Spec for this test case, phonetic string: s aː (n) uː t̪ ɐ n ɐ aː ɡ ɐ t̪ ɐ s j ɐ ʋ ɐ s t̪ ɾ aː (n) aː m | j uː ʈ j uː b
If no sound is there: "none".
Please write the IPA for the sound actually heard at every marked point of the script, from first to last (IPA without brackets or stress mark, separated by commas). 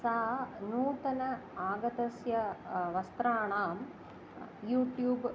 n, ɳ